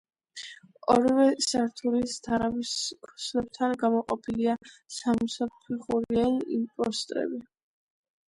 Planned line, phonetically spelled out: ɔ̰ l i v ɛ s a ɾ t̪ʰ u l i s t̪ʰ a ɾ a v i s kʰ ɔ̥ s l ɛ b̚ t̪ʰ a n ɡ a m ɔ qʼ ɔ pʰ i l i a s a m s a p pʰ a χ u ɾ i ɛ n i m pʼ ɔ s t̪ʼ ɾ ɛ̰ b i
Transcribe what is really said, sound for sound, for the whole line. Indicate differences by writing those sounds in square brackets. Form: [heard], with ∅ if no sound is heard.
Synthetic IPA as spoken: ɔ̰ [ɾ] i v ɛ s a ɾ t̪ʰ u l i s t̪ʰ a ɾ a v i s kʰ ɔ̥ s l ɛ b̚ t̪ʰ a n ɡ a m ɔ qʼ ɔ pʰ i l i a s a m s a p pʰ [i] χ u ɾ i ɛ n i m pʼ ɔ s t̪ʼ ɾ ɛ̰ b i